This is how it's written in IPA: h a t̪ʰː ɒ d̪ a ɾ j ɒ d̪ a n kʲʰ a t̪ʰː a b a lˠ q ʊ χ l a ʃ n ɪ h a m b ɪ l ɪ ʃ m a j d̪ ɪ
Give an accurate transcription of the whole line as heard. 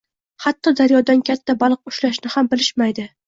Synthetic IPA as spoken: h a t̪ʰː ɒ d̪ a ɾ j ɒ d̪ a n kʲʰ a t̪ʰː a b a lˠ q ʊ ʃ l a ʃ n ɪ h a m b ɪ l ɪ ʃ m a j d̪ ɪ